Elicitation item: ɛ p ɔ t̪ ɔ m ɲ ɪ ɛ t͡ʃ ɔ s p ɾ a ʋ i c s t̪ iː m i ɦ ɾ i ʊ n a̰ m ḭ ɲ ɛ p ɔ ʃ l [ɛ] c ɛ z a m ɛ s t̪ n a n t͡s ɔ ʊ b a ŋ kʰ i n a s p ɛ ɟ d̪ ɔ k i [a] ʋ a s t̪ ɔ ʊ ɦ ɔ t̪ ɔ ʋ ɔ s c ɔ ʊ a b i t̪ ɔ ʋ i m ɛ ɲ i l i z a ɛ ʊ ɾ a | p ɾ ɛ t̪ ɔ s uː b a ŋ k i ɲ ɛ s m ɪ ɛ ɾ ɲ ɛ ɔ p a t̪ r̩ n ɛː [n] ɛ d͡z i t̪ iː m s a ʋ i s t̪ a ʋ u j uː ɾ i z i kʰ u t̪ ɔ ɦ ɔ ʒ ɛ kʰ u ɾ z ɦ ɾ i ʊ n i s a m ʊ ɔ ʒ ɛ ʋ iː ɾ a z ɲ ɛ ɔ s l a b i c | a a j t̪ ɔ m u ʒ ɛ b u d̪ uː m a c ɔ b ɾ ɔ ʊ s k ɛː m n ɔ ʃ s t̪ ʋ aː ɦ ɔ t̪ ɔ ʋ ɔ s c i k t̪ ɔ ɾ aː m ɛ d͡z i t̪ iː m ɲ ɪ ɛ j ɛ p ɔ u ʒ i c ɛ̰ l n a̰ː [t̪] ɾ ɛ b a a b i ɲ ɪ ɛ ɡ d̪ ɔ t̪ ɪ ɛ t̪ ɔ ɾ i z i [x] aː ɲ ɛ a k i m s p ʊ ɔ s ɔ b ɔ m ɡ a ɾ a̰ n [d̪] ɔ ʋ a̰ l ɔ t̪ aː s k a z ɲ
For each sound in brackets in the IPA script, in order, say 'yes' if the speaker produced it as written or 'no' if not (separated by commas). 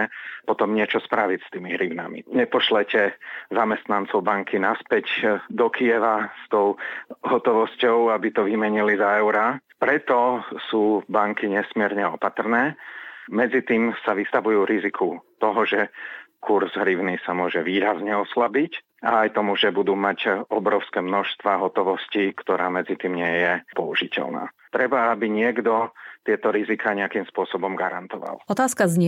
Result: yes, no, no, yes, no, no